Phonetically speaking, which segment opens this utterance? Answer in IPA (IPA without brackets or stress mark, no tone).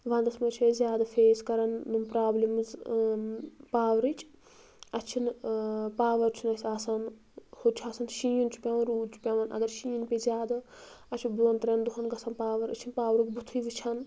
ʋ